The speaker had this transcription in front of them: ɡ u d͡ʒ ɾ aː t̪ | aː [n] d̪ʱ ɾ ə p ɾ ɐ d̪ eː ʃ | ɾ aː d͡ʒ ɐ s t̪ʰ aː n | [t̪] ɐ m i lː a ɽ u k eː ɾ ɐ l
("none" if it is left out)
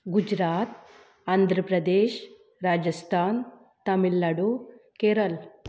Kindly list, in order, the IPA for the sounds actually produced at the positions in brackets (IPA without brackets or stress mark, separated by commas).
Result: n, t̪